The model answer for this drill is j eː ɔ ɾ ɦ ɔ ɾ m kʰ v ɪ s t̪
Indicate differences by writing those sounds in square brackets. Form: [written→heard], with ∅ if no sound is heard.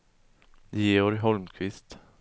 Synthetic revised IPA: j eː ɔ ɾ ɦ ɔ [ɾ→l] m kʰ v ɪ s t̪